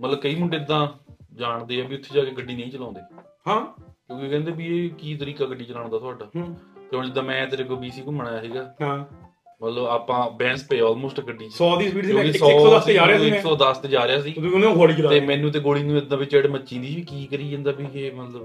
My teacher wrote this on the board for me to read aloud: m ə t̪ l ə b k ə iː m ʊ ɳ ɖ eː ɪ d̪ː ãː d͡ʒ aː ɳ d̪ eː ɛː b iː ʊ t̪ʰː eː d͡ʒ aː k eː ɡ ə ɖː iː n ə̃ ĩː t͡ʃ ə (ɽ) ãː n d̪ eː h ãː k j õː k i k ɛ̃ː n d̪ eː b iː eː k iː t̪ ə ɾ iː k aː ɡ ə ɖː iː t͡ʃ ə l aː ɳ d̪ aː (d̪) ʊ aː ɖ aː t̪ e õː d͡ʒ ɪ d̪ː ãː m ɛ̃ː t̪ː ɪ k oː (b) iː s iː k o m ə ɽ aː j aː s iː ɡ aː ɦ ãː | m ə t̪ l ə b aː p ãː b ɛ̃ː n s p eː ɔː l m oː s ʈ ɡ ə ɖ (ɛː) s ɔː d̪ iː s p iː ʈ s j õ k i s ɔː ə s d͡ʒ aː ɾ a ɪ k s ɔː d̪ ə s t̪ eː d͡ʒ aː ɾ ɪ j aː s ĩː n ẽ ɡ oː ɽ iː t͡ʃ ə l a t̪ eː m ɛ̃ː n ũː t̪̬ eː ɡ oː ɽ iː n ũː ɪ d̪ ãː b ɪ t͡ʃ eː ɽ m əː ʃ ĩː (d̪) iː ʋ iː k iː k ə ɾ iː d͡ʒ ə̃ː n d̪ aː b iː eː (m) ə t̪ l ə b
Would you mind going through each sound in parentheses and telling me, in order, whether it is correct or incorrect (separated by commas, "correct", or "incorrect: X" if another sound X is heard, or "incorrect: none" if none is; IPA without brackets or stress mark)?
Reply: incorrect: l, incorrect: t̪, correct, incorrect: iː, correct, correct